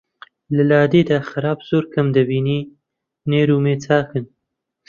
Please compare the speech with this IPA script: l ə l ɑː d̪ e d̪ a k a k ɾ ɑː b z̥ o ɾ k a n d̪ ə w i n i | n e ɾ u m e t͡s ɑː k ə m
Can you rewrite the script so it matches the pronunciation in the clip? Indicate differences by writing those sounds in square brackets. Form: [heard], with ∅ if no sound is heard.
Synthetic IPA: l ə l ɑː d̪ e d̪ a [x] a [∅] ɾ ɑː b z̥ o ɾ k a [m] d̪ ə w i n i | n e ɾ u m e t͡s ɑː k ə [n]